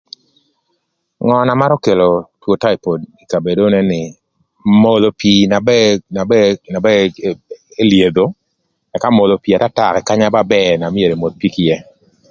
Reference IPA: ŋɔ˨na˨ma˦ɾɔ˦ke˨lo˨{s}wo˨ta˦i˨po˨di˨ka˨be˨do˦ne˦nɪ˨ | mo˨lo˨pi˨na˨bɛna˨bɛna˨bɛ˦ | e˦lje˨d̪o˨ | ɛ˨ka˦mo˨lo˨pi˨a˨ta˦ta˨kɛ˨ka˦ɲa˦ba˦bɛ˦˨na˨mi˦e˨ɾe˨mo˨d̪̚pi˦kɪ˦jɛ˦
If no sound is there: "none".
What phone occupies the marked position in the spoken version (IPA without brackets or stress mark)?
t